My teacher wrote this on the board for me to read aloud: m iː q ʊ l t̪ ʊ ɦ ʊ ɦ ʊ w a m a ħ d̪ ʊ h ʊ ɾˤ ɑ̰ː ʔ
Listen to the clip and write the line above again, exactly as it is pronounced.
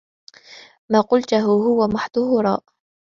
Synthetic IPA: m aː q ʊ l t̪ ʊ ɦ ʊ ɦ ʊ w a m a ħ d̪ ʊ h ʊ ɾˤ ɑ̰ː ʔ